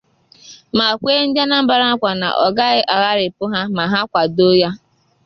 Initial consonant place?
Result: labial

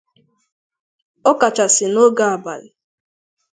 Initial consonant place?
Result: velar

